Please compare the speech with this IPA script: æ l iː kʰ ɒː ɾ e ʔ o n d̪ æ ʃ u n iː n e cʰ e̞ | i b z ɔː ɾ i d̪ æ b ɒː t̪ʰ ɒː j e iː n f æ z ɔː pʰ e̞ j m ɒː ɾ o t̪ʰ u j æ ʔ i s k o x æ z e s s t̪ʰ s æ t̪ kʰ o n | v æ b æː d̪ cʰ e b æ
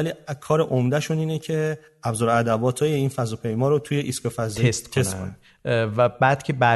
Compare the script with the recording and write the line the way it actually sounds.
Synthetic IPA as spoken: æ l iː kʰ ɒː ɾ e ʔ o m d̪ æ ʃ u n iː n e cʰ e̞ | æ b z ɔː ɾ æ d̪ æ b ɒː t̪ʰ ɒː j e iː n f æ z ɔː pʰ e̞ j m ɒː ɾ o t̪ʰ u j e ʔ i s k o f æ z e s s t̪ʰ s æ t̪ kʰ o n | v æ b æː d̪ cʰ e b æ